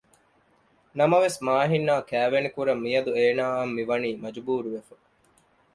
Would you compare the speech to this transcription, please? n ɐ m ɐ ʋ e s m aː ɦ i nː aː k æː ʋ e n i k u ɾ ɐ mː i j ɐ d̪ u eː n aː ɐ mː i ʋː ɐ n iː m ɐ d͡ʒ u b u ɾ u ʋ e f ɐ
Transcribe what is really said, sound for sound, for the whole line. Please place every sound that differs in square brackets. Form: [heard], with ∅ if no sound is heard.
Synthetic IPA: n ɐ m ɐ ʋ e s m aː ɦ i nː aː k æː ʋ e n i k u ɾ ɐ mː i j ɐ d̪ u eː n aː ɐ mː i [ʋ] ɐ n iː m ɐ d͡ʒ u b [uː] ɾ u ʋ e f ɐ